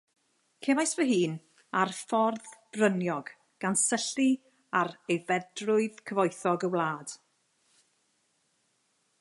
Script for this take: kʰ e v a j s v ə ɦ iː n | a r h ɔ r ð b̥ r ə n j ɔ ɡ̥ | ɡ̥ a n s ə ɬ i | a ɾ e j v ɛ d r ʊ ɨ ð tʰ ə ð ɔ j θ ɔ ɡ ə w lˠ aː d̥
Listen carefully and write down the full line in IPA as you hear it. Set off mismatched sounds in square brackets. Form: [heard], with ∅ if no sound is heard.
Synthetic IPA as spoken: kʰ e v a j s v ə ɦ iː n | a r [f] ɔ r ð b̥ r ə n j ɔ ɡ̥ | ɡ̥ a n s ə ɬ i | a ɾ e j v ɛ d r ʊ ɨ ð [kʰ] ə [v] ɔ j θ ɔ ɡ ə w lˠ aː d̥